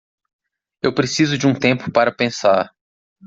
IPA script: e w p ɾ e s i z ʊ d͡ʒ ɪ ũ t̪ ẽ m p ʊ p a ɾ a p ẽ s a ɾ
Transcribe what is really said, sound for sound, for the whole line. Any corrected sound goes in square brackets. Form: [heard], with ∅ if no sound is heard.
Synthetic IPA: e w p ɾ e s i z ʊ d͡ʒ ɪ ũ t̪ ẽ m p ʊ p a ɾ [ɐ] p ẽ s a ɾ